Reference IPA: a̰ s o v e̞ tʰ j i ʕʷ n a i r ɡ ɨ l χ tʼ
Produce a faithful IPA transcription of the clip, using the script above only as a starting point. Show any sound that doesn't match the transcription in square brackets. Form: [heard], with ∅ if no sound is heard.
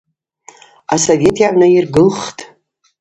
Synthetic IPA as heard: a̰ s o v e̞ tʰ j [a] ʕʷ n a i r ɡ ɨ l χ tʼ